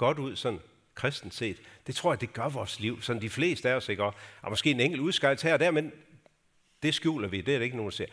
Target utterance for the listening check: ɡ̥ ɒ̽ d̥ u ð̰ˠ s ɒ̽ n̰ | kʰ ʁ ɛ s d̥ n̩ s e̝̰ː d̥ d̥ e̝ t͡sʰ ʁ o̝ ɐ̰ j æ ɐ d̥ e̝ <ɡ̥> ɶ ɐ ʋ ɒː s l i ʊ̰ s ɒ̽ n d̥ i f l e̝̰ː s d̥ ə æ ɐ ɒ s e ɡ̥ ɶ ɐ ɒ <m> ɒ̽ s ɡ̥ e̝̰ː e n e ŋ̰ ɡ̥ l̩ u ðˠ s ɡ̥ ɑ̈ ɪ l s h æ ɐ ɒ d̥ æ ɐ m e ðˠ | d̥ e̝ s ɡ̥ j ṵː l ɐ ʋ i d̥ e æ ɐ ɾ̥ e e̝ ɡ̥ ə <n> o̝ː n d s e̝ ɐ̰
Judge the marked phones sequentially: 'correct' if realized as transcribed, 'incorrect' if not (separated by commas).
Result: correct, correct, correct